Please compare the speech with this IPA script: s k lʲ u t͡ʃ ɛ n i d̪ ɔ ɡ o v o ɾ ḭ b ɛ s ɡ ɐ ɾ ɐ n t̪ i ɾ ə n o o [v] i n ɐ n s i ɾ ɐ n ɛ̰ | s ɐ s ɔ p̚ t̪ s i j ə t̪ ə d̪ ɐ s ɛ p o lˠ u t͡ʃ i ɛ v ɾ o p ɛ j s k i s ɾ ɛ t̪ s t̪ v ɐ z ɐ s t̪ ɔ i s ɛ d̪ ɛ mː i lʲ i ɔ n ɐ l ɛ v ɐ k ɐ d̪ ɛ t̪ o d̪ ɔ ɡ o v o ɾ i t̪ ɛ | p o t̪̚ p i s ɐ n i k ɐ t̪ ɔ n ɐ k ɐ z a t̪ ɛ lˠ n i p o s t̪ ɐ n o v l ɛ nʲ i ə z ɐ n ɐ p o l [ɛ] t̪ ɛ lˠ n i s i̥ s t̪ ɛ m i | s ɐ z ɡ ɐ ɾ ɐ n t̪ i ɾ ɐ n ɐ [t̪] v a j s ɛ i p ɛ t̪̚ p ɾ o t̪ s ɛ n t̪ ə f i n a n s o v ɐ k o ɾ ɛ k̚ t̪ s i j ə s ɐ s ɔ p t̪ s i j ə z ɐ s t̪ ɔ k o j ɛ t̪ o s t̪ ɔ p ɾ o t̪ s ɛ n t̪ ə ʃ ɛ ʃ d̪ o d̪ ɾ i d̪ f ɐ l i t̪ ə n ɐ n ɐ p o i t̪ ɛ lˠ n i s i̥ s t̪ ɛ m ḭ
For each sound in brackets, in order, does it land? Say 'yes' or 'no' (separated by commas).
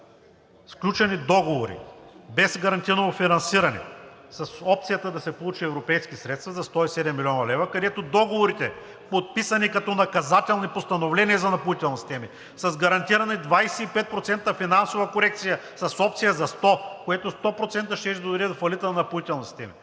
no, no, no